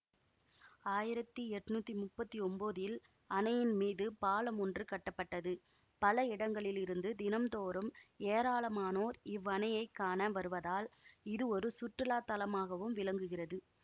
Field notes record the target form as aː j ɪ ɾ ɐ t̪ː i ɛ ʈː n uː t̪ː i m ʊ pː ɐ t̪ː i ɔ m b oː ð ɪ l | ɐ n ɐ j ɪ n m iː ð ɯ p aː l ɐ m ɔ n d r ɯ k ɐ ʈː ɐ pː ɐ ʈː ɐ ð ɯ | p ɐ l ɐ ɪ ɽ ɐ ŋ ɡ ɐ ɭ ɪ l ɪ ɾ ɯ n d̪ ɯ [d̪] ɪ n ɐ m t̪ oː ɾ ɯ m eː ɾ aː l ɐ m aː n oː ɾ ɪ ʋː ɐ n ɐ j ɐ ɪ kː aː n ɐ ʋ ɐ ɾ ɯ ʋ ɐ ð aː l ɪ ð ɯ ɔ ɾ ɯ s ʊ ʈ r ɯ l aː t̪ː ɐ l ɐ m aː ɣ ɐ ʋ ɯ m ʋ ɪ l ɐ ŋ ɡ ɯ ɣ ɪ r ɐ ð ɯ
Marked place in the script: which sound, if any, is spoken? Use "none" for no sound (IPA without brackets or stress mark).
d̪